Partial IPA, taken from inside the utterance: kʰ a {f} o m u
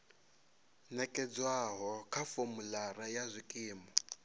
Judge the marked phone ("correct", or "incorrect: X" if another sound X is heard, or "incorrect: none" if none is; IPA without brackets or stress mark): correct